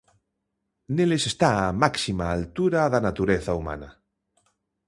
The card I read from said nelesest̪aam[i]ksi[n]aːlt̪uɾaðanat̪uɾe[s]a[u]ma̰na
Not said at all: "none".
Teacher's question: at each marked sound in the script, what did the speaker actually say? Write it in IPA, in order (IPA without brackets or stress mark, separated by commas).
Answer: a, m, θ, u